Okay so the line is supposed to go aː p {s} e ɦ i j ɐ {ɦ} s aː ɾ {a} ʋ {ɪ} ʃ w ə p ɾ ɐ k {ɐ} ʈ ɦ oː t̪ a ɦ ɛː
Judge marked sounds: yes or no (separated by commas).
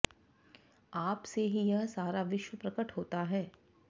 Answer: yes, yes, yes, yes, no